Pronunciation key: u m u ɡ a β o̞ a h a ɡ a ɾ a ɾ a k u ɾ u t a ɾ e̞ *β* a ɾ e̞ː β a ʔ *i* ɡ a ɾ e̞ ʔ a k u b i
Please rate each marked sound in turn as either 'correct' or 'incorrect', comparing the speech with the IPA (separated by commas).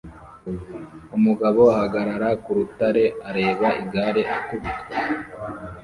incorrect, correct